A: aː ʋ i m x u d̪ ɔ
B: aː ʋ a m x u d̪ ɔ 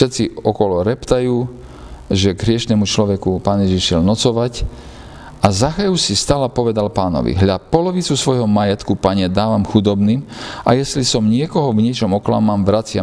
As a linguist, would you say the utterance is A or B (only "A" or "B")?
B